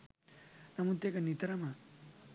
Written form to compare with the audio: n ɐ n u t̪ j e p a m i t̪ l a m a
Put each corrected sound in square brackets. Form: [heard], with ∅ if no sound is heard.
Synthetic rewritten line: n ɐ [m] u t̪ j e [k] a [n] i t̪ [ɾ] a m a

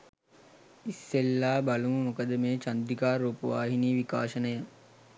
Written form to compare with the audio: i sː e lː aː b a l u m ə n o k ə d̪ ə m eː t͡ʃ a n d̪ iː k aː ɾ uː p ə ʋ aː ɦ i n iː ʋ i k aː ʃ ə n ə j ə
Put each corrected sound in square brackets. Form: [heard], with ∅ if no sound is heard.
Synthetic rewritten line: i sː e lː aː b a l u m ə [m] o k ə d̪ ə m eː t͡ʃ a n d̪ [i] k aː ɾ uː p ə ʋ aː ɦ i n iː ʋ i k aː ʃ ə n ə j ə

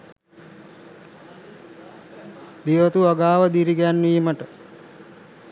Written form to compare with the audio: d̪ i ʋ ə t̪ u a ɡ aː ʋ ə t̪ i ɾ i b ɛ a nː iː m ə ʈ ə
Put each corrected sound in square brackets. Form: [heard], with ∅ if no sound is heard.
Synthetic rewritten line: d̪ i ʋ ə t̪ u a ɡ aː ʋ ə [d̪] i ɾ i [ɡ] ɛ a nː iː m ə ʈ ə

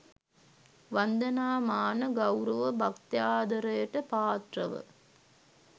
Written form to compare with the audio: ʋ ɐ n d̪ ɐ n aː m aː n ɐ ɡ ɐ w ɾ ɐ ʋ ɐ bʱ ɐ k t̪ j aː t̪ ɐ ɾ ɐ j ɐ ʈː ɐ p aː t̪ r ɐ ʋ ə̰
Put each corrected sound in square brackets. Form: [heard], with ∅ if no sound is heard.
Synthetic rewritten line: ʋ ɐ n d̪ ɐ n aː m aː n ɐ ɡ ɐ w ɾ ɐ ʋ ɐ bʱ ɐ k t̪ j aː [d̪] ɐ ɾ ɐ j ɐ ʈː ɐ p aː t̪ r ɐ ʋ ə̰

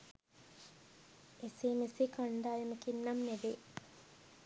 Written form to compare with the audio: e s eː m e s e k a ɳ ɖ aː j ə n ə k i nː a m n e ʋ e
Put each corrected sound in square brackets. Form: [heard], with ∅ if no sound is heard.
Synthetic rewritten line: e s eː m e s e k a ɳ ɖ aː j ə [m] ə k i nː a m n e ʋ e

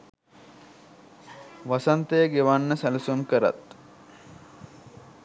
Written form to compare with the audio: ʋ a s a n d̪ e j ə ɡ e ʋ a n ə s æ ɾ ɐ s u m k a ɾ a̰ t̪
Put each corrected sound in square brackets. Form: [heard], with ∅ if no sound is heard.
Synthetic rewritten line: ʋ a s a n [t̪] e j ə ɡ e ʋ a [nː] ə s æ [l] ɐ s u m k [ə] ɾ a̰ t̪

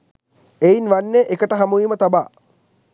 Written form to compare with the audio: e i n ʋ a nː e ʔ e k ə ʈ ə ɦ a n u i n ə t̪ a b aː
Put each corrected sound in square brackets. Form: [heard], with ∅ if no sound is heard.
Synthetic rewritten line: e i n ʋ a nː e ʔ e k ə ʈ ə ɦ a [m] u i [m] ə t̪ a b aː

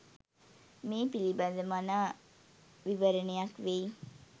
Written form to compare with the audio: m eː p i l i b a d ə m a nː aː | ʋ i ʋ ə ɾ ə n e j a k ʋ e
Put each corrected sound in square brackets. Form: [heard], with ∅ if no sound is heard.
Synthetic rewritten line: m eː p i l i b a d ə m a [n] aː | ʋ i ʋ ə ɾ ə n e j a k ʋ e

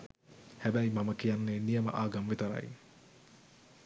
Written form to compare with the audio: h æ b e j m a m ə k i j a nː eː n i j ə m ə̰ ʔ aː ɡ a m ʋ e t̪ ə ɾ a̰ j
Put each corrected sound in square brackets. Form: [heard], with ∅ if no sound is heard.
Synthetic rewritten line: h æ b [æ] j m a m ə k i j a nː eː n i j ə m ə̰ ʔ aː ɡ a m ʋ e t̪ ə ɾ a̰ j

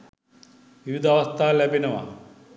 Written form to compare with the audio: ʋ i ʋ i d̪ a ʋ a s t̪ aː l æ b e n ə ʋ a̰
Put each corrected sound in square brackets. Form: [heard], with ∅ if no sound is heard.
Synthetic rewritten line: ʋ i ʋ i d̪ a ʋ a s t̪ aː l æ b e n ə ʋ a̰

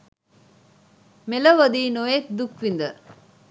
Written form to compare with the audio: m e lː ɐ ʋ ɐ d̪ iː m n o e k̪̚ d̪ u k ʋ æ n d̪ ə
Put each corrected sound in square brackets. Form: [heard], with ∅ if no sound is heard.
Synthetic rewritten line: m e [l] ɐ ʋ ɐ d̪ iː [∅] n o e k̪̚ d̪ u k ʋ [i] n d̪ ə

